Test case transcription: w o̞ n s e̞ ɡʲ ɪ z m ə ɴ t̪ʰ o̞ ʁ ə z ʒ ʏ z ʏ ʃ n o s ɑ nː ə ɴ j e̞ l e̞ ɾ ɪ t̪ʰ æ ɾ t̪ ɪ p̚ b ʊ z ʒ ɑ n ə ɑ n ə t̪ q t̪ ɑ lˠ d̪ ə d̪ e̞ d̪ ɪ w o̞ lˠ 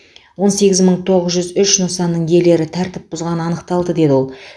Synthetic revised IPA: w o̞ n s e̞ ɡʲ ɪ z m ə ɴ t̪ʰ o̞ ʁ ə z ʒ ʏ z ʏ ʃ n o s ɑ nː ə ɴ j e̞ l e̞ ɾ ɪ t̪ʰ æ ɾ t̪ ɪ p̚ b ʊ z ʁ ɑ n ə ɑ n ə q t̪ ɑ lˠ d̪ ə d̪ e̞ d̪ ɪ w o̞ lˠ